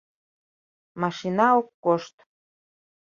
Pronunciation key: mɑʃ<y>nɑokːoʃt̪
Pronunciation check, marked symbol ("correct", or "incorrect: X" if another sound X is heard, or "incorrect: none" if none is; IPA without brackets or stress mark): incorrect: i